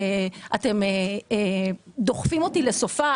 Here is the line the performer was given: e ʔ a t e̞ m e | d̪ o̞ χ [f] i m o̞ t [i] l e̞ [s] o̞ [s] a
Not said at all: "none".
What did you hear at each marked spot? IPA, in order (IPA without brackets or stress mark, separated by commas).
f, i, s, f